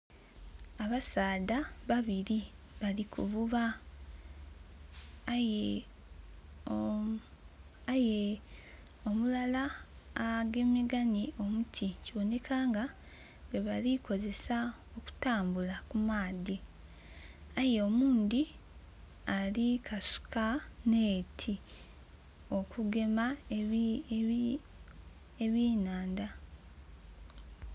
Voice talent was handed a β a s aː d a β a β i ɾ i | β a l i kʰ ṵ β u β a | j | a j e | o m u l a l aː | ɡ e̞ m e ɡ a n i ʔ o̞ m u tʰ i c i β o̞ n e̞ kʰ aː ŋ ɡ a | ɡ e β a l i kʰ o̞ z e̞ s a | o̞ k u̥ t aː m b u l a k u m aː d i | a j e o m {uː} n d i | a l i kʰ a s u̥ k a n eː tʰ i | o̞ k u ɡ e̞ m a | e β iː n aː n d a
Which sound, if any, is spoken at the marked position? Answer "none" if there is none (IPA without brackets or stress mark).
uː